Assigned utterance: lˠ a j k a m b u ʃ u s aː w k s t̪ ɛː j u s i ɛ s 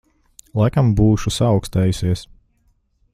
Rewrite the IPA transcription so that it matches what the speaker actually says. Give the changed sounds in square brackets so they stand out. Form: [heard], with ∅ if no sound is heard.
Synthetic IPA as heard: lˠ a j k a m b [uː] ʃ u s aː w k s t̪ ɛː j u s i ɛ s